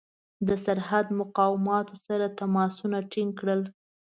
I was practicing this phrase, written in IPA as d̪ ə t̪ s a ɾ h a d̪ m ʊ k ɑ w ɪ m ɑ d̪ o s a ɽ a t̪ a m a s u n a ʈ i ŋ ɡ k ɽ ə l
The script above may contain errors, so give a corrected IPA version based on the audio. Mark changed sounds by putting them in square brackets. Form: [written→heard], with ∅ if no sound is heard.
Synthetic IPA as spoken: d̪ ə [t̪→∅] s a ɾ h a d̪ m ʊ [k→q] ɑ w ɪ m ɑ [d̪→t̪] o s a [ɽ→ɾ] a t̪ a m [a→ɑ] s u n a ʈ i ŋ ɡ k ɽ ə l